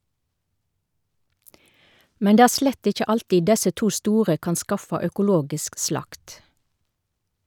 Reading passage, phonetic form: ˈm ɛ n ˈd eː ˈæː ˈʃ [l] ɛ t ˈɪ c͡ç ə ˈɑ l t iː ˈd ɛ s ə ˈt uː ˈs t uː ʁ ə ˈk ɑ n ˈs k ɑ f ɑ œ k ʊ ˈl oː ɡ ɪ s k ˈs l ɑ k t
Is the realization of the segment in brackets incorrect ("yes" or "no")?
no